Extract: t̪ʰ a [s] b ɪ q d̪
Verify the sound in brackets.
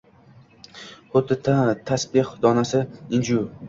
correct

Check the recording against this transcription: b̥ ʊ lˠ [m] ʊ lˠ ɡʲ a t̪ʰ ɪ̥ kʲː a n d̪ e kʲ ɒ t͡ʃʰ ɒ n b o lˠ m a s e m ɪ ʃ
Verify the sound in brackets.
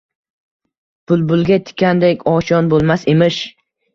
incorrect: b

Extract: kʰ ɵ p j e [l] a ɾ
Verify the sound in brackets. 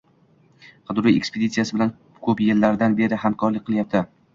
incorrect: lː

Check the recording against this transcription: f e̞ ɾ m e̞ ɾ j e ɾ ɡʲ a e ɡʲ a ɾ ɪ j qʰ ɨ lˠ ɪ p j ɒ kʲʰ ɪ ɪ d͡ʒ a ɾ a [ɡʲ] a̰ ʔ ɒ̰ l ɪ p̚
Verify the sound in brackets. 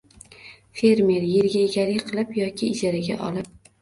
correct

